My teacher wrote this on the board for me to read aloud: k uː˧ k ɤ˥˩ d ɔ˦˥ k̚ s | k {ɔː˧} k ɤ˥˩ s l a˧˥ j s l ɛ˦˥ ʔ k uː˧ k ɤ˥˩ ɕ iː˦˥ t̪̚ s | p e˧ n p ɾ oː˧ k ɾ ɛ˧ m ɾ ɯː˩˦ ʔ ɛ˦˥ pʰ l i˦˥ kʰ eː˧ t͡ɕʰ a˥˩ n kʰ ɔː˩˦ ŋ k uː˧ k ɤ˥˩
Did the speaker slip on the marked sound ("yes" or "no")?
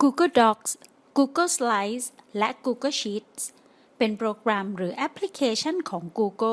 yes